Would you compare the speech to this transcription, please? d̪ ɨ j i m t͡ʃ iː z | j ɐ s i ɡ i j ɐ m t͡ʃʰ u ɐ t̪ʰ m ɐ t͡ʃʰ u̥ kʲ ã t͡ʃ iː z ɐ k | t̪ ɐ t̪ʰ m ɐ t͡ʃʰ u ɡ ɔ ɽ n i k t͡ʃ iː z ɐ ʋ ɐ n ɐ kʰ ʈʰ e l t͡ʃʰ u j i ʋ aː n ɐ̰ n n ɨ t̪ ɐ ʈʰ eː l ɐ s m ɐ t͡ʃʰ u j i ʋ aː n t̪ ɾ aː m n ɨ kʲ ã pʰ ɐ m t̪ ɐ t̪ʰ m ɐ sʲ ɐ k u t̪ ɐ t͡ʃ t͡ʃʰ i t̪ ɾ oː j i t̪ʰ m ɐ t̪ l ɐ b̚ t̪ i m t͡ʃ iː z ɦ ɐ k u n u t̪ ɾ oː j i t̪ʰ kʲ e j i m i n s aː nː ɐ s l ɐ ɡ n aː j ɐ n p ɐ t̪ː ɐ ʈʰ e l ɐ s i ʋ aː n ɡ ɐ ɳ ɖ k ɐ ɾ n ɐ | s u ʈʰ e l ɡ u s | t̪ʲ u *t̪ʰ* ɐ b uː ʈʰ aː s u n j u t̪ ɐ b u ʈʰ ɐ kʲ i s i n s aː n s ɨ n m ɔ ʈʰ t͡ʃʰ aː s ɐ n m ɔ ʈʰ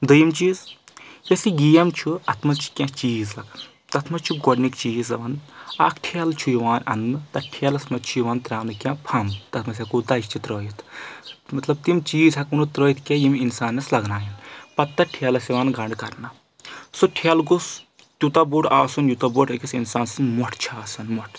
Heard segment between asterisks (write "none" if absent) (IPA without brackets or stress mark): t̪